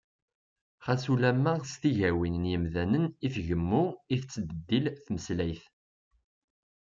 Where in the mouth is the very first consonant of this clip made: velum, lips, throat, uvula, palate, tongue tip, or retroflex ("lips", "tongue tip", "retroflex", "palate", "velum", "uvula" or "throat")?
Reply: uvula